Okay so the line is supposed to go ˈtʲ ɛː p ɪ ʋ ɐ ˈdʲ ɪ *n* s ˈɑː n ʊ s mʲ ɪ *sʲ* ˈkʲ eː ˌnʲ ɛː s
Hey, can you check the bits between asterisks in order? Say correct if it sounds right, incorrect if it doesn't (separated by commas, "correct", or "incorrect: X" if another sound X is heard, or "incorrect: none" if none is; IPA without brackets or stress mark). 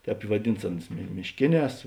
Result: correct, incorrect: ʃʲ